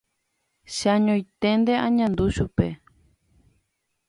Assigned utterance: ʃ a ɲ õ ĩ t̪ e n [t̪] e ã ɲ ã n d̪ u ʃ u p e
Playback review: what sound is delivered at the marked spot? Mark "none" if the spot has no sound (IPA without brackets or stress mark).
d̪